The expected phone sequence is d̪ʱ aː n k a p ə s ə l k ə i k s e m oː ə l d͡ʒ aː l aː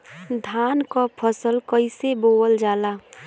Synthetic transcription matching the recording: d̪ʱ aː n k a pʰ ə s ə l k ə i s e b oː ə l d͡ʒ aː l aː